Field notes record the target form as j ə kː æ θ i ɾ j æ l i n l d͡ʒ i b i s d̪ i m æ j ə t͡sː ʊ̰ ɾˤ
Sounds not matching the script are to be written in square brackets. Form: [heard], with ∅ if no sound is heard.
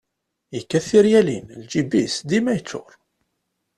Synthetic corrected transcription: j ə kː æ θ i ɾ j æ l i n l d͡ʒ i b i s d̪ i m æ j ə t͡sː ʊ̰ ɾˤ